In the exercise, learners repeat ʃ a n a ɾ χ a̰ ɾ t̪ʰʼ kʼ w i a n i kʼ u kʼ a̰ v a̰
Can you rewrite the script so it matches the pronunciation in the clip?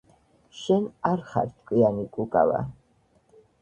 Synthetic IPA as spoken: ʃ ɛ n a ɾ χ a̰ ɾ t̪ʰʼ kʼ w i a n i kʼ u kʼ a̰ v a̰